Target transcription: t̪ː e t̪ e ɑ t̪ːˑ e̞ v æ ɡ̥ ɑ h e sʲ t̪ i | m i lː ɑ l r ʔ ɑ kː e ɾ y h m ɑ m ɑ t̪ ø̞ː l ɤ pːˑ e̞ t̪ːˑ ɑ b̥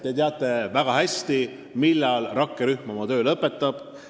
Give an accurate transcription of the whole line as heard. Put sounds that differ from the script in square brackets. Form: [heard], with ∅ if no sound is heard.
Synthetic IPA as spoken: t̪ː e t̪ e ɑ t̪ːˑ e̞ v æ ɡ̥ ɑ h [æ] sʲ t̪ i | m i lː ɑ l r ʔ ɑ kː e ɾ y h m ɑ m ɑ t̪ ø̞ː l ɤ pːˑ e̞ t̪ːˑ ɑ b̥